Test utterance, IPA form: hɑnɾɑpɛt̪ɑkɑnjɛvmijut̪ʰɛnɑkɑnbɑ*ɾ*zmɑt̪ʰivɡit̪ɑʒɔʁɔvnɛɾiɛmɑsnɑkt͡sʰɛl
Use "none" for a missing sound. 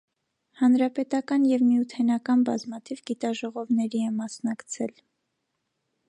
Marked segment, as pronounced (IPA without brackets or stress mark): none